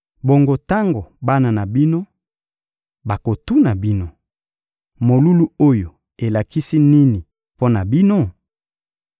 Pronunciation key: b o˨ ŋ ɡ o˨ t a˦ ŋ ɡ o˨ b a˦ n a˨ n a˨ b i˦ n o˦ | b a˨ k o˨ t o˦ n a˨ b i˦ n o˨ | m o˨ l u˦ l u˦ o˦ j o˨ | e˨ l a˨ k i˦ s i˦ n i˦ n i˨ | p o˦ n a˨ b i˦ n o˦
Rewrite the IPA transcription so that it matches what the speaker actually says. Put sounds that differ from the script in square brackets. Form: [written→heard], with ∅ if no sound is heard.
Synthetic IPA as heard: b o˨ ŋ ɡ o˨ t a˦ ŋ ɡ o˨ b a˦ n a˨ n a˨ b i˦ n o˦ | b a˨ k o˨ t [o˦→u˦] n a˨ b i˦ n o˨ | m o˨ l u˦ l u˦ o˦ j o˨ | e˨ l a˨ k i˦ s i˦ n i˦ n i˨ | p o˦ n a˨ b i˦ n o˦